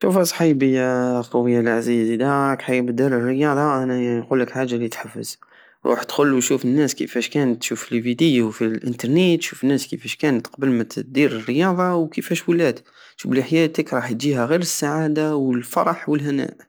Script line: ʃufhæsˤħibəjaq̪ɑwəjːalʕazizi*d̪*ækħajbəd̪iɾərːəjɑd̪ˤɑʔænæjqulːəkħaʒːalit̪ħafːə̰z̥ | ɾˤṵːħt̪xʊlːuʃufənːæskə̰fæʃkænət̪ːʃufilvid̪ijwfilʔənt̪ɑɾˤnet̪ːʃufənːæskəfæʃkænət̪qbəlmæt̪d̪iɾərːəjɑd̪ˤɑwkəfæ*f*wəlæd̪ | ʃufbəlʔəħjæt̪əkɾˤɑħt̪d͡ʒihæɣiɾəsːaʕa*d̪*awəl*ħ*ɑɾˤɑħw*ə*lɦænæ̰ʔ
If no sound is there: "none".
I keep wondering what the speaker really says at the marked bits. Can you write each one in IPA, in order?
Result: d̪, ʃ, d̪, f, ə

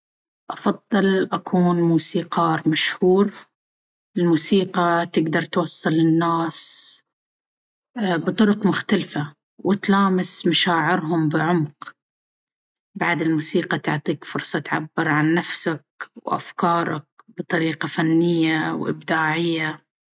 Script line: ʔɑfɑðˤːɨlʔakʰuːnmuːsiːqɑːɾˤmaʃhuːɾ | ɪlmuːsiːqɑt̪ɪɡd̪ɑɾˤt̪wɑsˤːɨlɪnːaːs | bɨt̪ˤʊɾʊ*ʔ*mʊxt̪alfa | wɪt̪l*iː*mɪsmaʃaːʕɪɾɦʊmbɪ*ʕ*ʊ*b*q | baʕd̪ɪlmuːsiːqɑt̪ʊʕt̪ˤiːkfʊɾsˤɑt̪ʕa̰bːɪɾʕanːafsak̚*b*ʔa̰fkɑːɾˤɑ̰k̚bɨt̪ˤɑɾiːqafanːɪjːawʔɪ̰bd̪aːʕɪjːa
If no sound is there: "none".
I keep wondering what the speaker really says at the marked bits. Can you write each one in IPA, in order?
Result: q, aː, ʕ, m, w

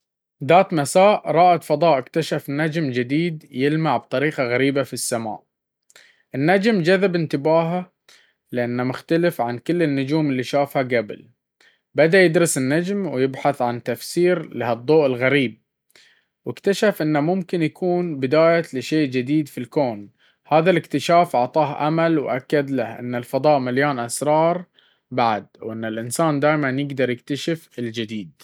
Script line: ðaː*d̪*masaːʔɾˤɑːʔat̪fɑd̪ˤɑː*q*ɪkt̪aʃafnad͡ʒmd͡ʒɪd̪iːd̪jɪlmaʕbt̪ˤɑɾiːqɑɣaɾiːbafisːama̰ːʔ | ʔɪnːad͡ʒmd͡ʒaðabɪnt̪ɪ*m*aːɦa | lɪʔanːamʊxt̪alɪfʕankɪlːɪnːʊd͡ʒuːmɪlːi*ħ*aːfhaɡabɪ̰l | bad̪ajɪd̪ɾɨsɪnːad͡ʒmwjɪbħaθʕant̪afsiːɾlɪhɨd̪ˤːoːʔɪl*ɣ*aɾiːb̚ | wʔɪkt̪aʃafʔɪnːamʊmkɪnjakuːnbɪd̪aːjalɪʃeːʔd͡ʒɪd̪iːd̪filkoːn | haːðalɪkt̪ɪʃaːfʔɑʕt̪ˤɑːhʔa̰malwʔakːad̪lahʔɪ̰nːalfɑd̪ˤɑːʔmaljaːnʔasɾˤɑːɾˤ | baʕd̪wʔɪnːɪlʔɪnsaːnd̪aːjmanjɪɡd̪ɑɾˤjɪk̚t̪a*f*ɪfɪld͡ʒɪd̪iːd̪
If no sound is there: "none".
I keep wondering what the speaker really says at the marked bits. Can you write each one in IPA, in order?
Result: t̪, ʔ, b, ʃ, ɣ, ʃ

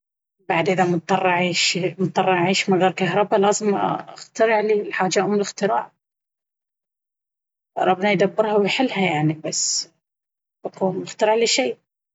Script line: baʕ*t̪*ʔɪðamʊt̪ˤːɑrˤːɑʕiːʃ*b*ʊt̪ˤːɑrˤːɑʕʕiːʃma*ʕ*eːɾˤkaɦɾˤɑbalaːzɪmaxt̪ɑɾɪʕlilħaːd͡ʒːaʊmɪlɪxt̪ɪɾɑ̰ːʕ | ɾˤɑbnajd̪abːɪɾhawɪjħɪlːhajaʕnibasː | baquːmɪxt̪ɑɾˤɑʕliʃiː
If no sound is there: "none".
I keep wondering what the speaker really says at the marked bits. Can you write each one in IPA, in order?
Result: d̪, m, ɣ

